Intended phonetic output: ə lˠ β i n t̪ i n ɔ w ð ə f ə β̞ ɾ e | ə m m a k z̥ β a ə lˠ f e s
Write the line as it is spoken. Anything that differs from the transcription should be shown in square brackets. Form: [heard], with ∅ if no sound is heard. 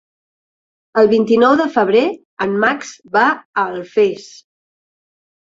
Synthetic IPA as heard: ə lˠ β i n t̪ i n ɔ w ð ə f ə β̞ ɾ e | ə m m a k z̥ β a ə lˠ f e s